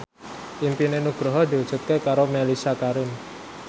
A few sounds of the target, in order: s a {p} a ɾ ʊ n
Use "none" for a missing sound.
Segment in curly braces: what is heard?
k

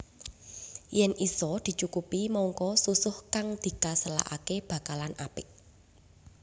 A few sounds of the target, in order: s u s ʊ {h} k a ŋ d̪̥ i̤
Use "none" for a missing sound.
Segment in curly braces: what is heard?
h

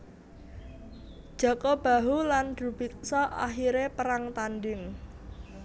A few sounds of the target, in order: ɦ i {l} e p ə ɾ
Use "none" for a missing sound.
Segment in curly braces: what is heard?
ɾ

